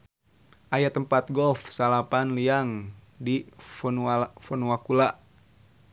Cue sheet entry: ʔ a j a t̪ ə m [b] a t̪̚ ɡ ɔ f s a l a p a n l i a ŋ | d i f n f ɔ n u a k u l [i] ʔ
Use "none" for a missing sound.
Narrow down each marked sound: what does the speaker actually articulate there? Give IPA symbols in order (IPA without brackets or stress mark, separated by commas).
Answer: p, a